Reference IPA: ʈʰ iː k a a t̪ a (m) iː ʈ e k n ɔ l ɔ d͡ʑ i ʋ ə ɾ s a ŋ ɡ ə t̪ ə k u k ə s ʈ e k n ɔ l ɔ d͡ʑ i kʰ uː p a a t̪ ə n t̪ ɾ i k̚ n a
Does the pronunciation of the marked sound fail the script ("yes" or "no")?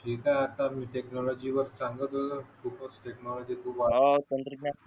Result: no